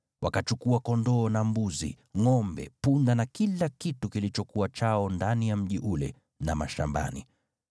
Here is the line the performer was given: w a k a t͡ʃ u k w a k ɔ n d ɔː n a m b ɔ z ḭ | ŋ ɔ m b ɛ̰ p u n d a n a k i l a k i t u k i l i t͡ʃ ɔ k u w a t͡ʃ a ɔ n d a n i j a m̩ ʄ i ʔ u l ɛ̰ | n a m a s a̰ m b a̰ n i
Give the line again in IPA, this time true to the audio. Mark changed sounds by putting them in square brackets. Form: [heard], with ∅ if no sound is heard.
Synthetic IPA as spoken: w a k a t͡ʃ u k [u] a k ɔ n d ɔː n a m b [u] z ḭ | ŋ ɔ m b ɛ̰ p u n d a n a k i l a k i t u k i l i t͡ʃ ɔ k u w a t͡ʃ a ɔ n d a n i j a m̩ ʄ i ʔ u l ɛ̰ | n a m a [ʃ] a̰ m b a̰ n i